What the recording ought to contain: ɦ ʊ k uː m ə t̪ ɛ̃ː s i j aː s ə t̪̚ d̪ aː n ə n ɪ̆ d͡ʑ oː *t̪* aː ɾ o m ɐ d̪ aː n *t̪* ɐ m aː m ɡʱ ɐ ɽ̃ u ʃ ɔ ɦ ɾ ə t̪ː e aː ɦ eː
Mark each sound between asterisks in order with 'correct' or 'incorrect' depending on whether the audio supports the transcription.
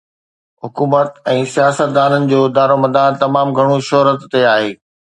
incorrect, correct

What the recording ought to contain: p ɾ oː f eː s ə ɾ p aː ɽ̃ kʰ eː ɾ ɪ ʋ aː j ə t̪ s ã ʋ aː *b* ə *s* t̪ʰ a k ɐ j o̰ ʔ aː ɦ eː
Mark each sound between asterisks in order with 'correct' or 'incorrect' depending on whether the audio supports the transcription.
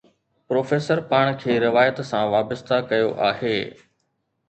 correct, correct

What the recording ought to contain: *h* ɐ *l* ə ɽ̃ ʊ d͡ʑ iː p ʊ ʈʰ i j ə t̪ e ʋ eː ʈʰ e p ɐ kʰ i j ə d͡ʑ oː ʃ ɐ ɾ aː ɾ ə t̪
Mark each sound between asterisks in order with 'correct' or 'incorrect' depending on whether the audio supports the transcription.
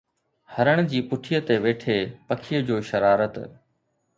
correct, incorrect

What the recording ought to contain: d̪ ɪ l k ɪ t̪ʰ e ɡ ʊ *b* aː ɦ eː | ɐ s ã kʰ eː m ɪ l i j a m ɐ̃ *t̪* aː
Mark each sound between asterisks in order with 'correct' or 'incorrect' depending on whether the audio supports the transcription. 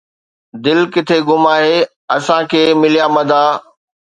incorrect, incorrect

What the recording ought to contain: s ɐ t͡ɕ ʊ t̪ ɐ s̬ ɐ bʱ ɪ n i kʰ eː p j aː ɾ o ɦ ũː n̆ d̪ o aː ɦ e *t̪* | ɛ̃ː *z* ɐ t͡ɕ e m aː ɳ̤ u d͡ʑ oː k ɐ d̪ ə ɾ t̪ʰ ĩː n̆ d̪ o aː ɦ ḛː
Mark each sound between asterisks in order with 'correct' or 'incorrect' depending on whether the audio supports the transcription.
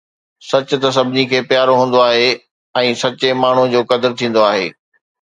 incorrect, incorrect

